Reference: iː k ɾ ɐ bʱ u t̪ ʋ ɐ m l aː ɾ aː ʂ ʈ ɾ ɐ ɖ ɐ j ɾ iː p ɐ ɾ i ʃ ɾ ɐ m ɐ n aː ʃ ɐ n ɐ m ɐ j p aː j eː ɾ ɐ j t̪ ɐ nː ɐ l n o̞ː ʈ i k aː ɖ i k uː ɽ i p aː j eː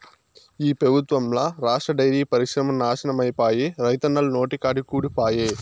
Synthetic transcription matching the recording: iː p ɾ ɐ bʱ u t̪ ʋ ɐ m l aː ɾ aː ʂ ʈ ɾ ɐ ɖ ɐ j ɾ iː p ɐ ɾ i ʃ ɾ ɐ m ɐ n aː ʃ ɐ n ɐ m ɐ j p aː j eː ɾ ɐ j t̪ ɐ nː ɐ l n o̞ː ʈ i k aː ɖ i k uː ɽ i p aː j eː